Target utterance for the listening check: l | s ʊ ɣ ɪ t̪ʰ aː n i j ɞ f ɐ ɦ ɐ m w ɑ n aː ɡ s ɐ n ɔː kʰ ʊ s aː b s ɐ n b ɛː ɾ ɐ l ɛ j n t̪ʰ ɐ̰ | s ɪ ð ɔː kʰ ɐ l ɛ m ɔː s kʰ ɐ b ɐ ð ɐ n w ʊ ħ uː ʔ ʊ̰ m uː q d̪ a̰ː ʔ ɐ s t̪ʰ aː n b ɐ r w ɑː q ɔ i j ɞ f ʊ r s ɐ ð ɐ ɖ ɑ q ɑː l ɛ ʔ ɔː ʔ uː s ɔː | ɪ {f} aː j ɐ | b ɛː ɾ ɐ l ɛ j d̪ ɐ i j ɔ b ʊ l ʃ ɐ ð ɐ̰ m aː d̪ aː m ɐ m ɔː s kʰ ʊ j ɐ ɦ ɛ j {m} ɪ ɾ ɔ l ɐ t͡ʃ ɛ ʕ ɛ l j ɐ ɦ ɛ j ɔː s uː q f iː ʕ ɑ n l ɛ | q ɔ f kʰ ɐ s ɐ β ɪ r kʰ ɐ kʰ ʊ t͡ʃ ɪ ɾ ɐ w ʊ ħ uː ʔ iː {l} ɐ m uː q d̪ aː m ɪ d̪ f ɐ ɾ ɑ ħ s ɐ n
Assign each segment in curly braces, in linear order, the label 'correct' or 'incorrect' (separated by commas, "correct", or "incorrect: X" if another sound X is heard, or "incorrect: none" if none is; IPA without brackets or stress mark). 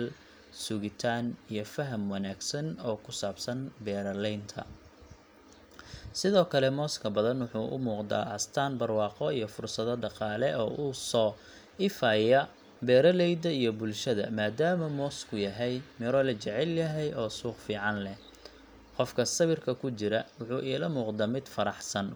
correct, correct, correct